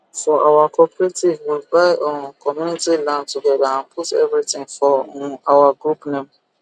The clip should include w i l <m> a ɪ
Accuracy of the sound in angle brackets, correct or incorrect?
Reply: incorrect